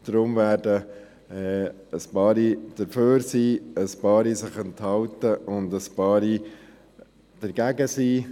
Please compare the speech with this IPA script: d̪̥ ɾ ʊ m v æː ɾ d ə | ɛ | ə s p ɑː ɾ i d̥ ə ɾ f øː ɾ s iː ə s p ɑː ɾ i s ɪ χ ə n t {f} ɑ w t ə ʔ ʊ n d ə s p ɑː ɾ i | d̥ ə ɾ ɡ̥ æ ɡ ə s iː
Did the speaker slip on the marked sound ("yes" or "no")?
yes